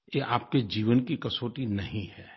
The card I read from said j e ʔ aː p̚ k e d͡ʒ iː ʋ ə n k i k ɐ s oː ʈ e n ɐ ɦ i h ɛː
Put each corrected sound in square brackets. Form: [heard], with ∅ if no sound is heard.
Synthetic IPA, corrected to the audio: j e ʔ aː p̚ k e d͡ʒ iː ʋ ə n k i k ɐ s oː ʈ [i] n ɐ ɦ [ĩ] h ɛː

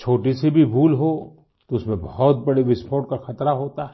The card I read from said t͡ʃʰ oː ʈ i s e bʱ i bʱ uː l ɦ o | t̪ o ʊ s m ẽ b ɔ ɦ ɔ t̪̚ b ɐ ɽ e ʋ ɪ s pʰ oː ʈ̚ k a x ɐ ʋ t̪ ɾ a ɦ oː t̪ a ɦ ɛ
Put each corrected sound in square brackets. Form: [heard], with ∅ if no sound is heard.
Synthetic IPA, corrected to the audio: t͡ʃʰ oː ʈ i s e bʱ i bʱ uː l ɦ o | t̪ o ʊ s m ẽ b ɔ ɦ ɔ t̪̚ b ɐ ɽ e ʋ ɪ s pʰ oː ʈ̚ k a x ɐ [∅] t̪ ɾ a ɦ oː t̪ a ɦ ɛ

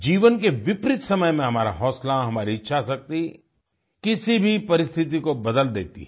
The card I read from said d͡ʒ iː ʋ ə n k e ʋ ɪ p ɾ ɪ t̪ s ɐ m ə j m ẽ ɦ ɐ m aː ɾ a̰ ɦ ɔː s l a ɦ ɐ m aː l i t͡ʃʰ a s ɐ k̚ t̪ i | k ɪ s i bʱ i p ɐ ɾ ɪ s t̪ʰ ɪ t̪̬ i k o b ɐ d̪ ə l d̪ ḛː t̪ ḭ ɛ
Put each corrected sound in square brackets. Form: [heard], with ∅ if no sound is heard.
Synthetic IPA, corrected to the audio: d͡ʒ iː ʋ ə n k e ʋ ɪ p ɾ ɪ t̪ s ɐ m ə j m ẽ ɦ ɐ m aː ɾ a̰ ɦ ɔː s l a ɦ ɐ m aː [ɾ] i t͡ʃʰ a s ɐ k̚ t̪ i | k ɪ s i bʱ i p ɐ ɾ ɪ s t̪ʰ ɪ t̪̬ i k o b ɐ d̪ ə l d̪ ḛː t̪ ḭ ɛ

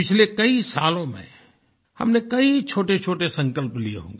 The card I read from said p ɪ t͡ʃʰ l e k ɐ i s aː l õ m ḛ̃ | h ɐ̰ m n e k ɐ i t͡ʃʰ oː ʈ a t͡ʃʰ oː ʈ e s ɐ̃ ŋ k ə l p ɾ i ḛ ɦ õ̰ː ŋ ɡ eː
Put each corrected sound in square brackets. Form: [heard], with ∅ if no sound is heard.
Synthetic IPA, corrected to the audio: p ɪ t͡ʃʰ l e k ɐ i s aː l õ m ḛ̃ | h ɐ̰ m n e k ɐ i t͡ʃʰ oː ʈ [e] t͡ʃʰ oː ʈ e s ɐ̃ ŋ k ə l p [l] i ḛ ɦ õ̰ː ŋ ɡ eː

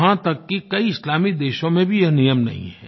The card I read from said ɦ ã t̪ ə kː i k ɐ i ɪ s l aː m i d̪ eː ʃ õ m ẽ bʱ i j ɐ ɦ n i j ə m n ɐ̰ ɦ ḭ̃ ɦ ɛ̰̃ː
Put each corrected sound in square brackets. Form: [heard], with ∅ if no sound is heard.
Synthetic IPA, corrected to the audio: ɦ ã t̪ [ɐ] kː i k ɐ i ɪ s l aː m i d̪ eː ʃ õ m ẽ bʱ i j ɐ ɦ n i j ə m n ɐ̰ ɦ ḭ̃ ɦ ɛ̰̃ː

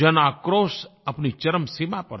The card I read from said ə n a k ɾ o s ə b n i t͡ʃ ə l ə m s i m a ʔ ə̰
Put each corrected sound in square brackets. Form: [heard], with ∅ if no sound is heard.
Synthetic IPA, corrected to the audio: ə n a k ɾ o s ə [p] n i t͡ʃ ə [ɾ] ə m s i m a [p] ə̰

